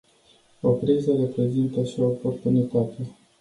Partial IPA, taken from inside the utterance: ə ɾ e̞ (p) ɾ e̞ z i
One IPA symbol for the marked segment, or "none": p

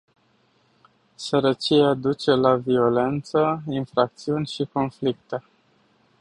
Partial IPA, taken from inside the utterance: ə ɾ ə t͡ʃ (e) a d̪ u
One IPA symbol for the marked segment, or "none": i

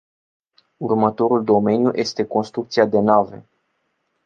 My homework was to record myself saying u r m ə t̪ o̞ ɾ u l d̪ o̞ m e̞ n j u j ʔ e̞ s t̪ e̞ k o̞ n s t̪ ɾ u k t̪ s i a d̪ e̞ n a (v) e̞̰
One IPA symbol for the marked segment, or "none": v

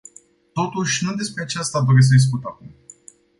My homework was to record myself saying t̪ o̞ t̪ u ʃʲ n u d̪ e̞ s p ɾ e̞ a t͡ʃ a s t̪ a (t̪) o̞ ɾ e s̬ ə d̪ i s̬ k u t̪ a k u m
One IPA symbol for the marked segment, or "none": d̪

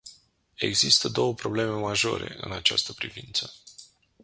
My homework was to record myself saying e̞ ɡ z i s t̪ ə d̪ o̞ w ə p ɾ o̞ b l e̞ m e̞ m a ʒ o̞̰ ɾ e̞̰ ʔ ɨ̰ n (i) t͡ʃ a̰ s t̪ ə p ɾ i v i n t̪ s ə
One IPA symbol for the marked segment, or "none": a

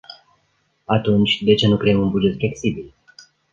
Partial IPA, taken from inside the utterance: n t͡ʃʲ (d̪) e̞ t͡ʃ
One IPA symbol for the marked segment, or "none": d̪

